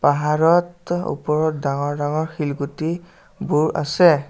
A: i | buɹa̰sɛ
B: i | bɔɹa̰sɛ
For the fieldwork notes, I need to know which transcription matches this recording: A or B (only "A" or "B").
A